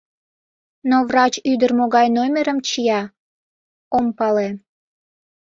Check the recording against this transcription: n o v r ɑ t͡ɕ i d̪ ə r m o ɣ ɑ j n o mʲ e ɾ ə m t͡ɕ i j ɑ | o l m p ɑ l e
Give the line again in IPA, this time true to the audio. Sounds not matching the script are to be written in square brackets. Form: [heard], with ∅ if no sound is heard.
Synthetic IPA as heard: n o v r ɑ t͡ɕ [y] d̪ ə r m o ɣ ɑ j n o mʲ e ɾ ə m t͡ɕ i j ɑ | o [∅] m p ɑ l e